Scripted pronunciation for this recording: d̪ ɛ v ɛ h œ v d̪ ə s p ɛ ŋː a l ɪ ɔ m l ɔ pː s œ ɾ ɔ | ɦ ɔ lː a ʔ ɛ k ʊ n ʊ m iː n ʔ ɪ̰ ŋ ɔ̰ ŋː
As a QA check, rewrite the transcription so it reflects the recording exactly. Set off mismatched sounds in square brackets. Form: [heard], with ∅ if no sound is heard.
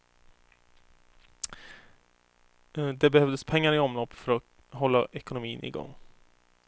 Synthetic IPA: d̪ ɛ [b] ɛ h œ v d̪ ə s [pʰ] ɛ ŋː a [ɾ] ɪ ɔ m l ɔ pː [f] œ ɾ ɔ | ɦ ɔ lː a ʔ ɛ k ʊ n ʊ m iː n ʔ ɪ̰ [ɡ] ɔ̰ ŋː